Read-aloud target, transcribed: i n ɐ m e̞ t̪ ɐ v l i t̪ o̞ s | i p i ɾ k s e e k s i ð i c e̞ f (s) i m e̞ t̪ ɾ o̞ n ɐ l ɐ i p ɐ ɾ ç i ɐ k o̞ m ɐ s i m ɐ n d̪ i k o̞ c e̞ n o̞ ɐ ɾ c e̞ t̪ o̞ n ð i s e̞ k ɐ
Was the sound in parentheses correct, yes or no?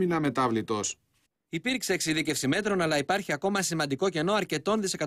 yes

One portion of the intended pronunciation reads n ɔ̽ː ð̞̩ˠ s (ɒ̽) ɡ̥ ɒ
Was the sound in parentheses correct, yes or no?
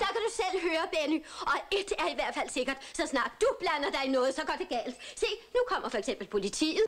yes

